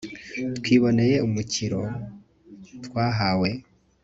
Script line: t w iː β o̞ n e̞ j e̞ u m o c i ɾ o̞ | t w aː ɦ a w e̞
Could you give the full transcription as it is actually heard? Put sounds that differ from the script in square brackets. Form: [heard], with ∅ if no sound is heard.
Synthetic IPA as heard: t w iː β o̞ n e̞ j e̞ u m [u] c i ɾ o̞ | t w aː ɦ a w e̞